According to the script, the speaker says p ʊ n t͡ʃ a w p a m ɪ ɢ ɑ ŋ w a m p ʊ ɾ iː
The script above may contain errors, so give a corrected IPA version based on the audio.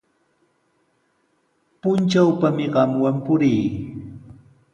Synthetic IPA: p ʊ n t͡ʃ a w p a m ɪ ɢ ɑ m w a m p ʊ ɾ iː